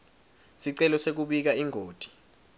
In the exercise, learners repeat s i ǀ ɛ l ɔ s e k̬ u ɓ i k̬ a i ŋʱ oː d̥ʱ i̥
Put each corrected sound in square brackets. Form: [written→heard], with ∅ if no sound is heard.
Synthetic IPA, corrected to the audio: s i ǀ ɛ l ɔ s e k̬ u ɓ i k̬ a i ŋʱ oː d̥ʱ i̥